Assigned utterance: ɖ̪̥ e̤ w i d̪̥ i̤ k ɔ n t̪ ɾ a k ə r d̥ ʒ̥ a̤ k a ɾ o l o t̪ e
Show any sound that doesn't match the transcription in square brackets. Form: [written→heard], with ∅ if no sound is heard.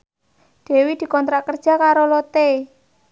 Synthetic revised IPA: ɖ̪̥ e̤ w i d̪̥ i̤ k ɔ n t̪ ɾ a k ə r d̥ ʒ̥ a̤ k a ɾ o l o t̪ e